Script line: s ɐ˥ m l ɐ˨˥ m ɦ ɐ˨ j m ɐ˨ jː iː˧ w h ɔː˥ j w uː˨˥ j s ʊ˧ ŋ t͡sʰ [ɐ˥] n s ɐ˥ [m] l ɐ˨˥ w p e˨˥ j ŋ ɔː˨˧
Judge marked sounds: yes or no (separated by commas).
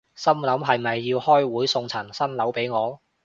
no, no